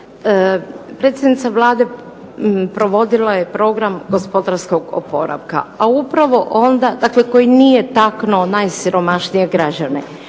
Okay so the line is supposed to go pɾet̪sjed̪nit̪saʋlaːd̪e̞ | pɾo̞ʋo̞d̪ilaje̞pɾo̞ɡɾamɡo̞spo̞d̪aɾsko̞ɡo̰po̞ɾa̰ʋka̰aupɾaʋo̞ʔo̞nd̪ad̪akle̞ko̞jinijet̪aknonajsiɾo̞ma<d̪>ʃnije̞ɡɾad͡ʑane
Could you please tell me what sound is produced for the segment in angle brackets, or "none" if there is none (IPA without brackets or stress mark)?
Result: none